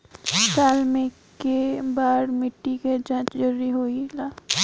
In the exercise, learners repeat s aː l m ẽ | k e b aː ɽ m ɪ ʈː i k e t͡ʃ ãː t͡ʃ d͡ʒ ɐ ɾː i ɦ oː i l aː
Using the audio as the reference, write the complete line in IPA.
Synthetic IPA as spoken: s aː l m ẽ | k e b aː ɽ m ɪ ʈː i k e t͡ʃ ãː t͡ʃ d͡ʒ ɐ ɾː i ɦ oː i l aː